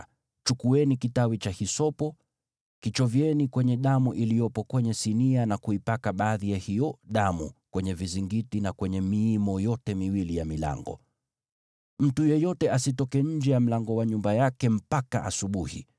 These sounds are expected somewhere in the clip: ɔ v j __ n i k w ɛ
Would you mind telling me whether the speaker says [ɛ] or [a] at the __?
ɛ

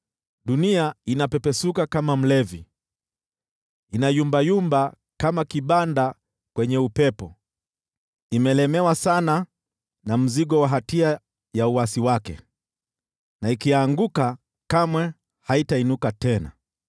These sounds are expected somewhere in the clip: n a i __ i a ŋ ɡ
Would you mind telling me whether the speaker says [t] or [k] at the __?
k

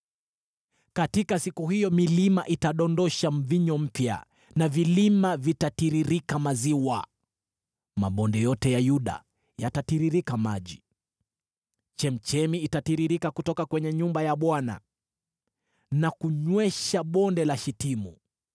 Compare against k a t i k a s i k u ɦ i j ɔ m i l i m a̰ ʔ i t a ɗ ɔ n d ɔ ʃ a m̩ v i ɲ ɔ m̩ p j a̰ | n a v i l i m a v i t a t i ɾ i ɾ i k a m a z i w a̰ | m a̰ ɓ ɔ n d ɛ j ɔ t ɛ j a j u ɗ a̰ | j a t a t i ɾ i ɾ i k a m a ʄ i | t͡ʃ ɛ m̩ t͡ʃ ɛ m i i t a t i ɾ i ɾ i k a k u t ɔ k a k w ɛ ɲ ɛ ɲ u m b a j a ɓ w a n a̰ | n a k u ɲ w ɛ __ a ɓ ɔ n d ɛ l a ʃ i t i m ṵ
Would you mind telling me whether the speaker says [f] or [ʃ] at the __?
ʃ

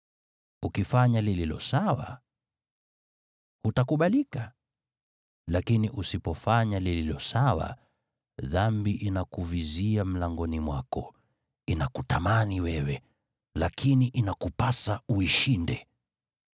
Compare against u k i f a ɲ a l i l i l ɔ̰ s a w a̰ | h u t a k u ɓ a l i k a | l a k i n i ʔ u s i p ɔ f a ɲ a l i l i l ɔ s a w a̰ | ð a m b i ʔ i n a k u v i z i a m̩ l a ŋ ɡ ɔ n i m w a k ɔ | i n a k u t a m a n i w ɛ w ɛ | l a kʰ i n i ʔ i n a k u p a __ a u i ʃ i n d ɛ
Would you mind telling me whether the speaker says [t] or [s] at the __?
s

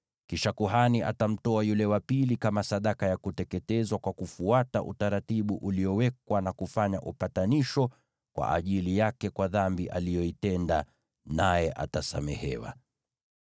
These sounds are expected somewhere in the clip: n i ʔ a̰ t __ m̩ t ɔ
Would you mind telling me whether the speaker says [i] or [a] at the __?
a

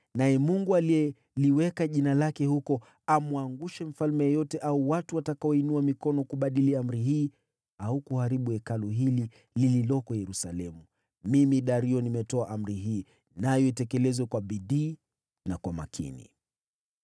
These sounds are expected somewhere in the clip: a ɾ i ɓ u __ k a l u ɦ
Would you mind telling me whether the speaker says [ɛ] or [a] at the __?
ɛ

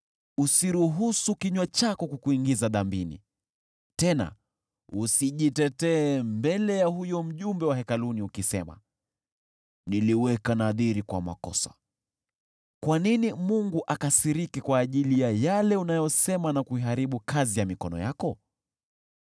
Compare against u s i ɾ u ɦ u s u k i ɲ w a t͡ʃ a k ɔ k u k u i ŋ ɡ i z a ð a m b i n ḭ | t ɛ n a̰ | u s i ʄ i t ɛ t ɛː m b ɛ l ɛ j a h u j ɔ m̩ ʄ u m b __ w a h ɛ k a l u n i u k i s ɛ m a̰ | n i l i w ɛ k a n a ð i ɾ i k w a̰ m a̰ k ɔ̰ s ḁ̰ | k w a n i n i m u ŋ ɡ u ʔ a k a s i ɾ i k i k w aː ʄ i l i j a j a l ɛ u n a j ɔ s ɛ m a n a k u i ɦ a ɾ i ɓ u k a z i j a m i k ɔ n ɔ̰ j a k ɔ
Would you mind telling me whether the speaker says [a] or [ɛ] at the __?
ɛ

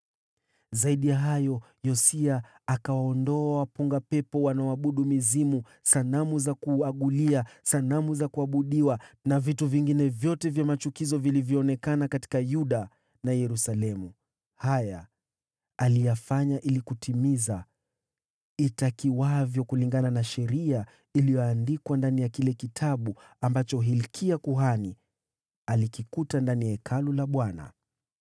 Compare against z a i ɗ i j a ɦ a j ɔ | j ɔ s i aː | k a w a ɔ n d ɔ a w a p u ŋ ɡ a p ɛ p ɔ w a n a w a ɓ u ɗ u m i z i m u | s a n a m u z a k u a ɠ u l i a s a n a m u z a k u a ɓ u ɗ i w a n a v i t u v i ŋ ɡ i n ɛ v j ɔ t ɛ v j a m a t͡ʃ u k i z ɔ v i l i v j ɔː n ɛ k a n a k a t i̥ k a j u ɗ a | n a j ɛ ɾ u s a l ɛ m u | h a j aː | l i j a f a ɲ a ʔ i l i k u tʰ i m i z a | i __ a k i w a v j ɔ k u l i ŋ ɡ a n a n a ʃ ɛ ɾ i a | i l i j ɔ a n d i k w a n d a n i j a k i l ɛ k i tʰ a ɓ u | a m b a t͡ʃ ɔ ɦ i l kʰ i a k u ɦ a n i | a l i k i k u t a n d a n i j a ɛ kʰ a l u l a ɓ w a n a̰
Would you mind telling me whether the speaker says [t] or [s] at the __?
t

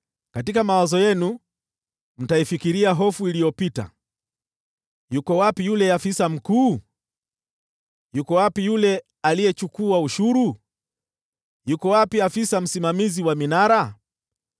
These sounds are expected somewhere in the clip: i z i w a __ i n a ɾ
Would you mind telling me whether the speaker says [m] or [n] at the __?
m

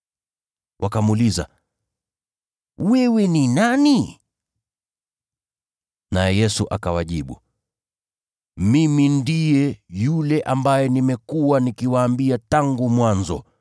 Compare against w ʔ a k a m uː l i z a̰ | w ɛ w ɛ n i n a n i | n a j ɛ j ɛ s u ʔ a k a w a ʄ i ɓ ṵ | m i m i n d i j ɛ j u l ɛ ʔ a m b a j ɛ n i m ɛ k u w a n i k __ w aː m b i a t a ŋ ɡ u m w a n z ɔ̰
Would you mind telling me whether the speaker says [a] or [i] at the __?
i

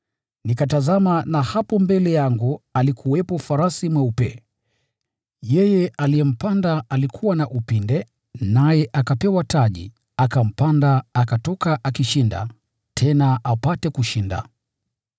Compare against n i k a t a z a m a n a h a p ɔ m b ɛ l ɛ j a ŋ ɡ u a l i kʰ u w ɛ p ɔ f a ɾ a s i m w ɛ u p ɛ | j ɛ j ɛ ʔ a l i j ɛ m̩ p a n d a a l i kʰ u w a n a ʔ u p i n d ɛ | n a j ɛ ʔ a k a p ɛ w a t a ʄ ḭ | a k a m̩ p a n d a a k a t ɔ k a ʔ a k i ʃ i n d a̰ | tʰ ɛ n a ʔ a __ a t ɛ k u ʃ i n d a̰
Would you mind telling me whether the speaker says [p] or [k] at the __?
p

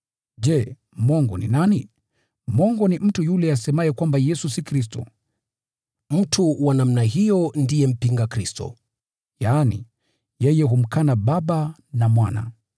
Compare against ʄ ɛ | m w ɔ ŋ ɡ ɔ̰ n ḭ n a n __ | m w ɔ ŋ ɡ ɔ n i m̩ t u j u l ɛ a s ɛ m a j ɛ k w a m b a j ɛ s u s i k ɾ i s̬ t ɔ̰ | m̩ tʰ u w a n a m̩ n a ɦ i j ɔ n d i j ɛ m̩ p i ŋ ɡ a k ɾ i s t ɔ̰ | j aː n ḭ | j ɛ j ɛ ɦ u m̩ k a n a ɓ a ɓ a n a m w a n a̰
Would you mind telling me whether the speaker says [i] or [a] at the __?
i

